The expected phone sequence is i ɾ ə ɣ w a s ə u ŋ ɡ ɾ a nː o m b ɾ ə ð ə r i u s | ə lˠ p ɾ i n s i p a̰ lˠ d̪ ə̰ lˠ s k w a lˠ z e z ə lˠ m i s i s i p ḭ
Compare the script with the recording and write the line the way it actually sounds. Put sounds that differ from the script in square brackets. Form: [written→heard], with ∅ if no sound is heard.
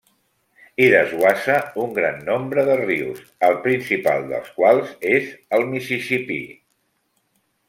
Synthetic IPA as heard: i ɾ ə [ɣ→z] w a s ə u ŋ ɡ ɾ a nː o m b ɾ ə ð ə r i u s | ə lˠ p ɾ i n s i p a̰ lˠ d̪ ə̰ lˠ s k w a lˠ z e z ə lˠ m i s i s i p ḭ